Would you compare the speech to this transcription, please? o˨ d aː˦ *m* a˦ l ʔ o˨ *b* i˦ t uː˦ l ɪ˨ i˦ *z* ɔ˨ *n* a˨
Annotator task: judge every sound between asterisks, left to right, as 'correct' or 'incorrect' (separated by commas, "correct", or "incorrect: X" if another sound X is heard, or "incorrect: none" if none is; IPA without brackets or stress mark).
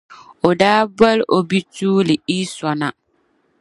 incorrect: b, correct, incorrect: s, correct